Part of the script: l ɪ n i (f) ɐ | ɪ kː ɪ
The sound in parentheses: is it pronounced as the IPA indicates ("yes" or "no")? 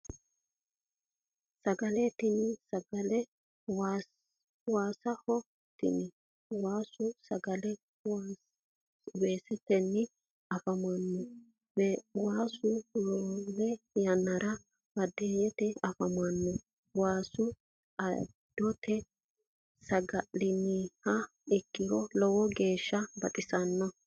no